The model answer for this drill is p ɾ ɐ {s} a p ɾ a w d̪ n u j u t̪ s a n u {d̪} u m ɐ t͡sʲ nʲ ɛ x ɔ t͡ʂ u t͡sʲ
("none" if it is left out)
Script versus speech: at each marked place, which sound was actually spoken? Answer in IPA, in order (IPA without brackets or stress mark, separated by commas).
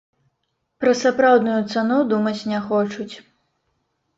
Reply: s, d̪